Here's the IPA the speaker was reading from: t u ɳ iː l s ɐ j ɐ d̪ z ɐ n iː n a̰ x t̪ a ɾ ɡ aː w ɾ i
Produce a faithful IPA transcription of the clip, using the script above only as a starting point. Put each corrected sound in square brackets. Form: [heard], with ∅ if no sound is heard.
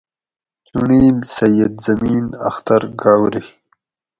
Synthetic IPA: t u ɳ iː l s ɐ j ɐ d̪ z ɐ [m] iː n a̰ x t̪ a ɾ ɡ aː w ɾ i